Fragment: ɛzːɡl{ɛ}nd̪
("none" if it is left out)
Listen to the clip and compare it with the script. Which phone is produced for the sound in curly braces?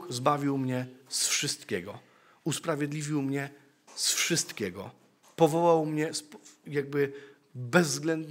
ɛ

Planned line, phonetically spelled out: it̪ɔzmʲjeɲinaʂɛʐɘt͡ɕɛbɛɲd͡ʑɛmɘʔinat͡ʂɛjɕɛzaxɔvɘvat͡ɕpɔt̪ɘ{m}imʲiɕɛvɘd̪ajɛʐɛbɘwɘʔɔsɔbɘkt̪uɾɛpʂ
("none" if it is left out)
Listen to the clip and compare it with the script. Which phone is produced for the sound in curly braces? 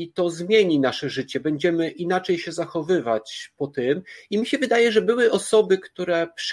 m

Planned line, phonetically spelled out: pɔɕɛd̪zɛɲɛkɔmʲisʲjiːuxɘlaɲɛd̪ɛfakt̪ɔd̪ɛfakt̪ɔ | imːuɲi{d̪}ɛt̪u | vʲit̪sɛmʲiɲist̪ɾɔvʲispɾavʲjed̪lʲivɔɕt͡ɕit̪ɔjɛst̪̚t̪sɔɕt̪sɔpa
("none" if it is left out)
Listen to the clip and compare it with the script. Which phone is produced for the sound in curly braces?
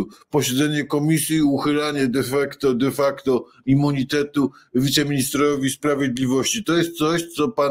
t̪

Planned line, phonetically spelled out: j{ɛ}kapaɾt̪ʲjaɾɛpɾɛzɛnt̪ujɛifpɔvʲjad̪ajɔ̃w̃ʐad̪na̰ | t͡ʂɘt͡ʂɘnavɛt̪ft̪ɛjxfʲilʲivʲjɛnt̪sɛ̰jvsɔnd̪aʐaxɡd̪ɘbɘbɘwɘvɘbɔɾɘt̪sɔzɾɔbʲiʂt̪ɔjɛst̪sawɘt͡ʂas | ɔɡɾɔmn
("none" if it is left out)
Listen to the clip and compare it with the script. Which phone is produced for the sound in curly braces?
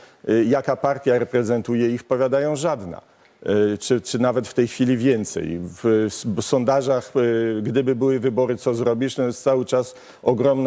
a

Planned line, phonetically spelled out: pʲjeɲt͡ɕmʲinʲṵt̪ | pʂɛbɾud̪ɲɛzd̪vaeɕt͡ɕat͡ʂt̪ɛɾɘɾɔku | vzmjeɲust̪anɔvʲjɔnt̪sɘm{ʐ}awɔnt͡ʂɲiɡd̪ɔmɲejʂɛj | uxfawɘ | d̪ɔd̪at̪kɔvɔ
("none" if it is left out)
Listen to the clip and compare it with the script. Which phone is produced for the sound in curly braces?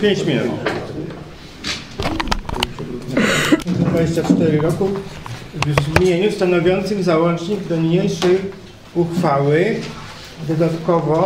z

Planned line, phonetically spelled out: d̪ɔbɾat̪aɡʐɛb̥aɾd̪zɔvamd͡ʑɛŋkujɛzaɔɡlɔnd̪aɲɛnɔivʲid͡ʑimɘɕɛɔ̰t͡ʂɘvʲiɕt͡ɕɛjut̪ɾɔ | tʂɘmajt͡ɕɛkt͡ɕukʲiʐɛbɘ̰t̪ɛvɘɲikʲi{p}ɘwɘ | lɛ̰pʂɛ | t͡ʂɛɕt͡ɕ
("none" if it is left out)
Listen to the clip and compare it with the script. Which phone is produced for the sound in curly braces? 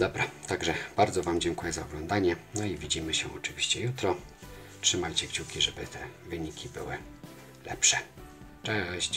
b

